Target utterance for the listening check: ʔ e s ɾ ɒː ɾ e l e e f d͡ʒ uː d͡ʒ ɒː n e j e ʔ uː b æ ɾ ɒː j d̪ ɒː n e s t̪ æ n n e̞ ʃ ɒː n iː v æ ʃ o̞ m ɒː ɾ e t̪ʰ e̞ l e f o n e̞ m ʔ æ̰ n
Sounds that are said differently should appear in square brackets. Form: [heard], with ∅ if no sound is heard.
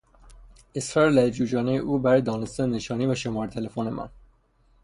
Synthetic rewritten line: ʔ e s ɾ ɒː ɾ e l [æ] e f d͡ʒ uː d͡ʒ ɒː n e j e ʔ uː b æ ɾ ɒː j d̪ ɒː n e s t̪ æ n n e̞ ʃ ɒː n iː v æ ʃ o̞ m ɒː ɾ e t̪ʰ e̞ l e f o n e̞ m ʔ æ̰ n